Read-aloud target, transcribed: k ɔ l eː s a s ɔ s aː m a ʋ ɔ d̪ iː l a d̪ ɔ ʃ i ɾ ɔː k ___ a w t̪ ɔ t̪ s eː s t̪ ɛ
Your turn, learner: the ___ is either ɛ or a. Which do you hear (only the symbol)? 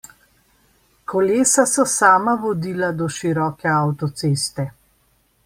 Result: ɛ